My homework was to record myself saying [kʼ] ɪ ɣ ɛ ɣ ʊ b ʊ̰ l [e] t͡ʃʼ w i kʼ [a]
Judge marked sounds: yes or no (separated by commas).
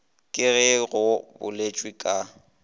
yes, yes, yes